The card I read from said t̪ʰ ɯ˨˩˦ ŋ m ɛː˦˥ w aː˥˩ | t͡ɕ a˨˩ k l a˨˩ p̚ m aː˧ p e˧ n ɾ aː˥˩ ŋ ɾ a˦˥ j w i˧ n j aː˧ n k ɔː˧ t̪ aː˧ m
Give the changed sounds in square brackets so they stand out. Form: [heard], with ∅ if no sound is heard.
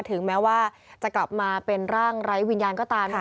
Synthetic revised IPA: t̪ʰ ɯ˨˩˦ ŋ m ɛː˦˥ w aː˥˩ | t͡ɕ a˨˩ k l a˨˩ p̚ m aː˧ p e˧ n ɾ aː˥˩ ŋ ɾ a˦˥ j w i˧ n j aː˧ n k [ɔː˥˩] t̪ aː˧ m